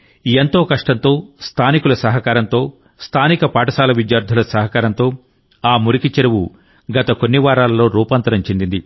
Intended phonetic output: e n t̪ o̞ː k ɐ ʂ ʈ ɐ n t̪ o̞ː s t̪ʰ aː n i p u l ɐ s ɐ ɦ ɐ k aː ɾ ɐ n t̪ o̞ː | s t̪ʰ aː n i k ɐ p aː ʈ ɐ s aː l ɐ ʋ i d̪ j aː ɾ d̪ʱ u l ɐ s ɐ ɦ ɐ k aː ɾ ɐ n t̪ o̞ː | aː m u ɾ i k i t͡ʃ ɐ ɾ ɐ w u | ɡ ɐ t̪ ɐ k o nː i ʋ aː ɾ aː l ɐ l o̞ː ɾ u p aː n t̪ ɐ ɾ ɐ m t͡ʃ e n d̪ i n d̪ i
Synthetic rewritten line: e n t̪ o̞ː k ɐ ʂ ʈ ɐ n t̪ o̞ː s t̪ʰ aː n i k u l ɐ s ɐ ɦ ɐ k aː ɾ ɐ n t̪ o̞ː | s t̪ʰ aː n i k ɐ p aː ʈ ɐ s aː l ɐ ʋ i d̪ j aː ɾ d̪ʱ u l ɐ s ɐ ɦ ɐ k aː ɾ ɐ n t̪ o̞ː | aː m u ɾ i k i t͡ʃ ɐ ɾ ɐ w u | ɡ ɐ t̪ ɐ k o nː i ʋ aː ɾ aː l ɐ l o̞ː ɾ uː p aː n t̪ ɐ ɾ ɐ m t͡ʃ e n d̪ i n d̪ i